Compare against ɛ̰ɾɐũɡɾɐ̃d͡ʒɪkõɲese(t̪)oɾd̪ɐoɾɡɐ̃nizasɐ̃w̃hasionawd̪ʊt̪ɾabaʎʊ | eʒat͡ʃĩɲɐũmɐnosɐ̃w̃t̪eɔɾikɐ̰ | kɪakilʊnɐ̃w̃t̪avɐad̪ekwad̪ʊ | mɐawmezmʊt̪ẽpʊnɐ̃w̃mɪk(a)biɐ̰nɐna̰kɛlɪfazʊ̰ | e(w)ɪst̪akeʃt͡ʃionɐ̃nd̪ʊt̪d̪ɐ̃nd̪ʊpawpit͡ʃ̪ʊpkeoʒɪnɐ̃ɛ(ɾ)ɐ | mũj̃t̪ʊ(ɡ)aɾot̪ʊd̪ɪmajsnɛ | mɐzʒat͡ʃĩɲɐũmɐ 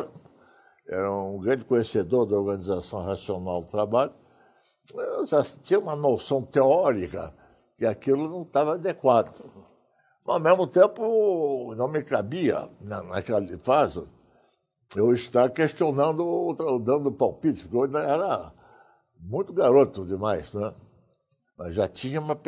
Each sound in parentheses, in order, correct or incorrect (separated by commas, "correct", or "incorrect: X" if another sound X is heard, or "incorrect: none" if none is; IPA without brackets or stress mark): incorrect: d̪, correct, correct, correct, correct